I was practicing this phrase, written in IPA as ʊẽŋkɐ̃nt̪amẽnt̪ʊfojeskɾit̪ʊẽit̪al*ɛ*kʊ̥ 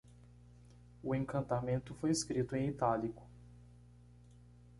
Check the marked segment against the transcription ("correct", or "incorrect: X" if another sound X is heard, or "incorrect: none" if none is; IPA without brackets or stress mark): incorrect: i